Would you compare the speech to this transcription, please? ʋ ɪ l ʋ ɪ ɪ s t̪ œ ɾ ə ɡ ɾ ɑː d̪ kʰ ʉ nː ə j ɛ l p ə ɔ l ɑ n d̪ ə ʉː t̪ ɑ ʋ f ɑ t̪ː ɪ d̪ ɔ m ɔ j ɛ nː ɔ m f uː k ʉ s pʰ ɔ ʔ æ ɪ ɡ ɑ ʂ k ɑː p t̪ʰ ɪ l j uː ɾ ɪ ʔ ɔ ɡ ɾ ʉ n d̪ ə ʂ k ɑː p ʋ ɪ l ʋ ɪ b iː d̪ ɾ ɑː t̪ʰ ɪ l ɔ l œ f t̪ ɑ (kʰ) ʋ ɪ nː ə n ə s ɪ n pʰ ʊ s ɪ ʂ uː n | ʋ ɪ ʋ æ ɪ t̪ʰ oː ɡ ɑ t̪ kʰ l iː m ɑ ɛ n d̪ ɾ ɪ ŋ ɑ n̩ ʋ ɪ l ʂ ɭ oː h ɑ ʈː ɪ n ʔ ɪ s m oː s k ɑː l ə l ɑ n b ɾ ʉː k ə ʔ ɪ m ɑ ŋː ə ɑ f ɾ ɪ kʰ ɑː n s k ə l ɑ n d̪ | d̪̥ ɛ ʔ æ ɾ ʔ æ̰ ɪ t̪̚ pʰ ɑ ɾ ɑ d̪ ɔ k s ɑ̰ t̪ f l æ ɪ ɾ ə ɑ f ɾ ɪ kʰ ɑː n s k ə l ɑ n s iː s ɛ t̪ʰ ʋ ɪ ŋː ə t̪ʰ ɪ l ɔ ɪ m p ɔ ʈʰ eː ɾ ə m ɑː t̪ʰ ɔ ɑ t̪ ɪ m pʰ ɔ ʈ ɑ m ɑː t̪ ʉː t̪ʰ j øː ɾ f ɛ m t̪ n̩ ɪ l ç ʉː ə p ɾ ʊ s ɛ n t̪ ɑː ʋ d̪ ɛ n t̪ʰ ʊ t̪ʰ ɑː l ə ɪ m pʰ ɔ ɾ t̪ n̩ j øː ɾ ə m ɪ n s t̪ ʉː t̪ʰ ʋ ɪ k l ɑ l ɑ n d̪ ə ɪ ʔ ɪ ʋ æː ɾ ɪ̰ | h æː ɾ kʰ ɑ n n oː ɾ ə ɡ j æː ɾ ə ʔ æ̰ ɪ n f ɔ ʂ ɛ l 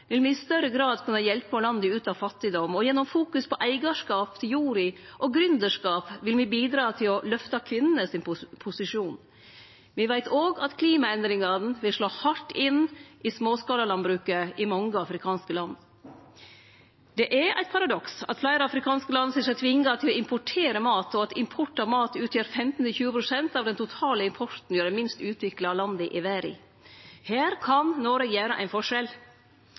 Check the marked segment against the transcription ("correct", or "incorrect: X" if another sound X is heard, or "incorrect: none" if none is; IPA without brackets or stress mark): correct